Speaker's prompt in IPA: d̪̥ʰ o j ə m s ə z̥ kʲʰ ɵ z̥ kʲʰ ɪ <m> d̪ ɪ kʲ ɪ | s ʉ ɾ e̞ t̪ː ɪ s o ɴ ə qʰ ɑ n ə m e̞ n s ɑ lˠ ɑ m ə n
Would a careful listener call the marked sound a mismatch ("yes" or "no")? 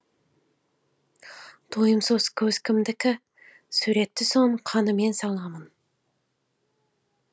no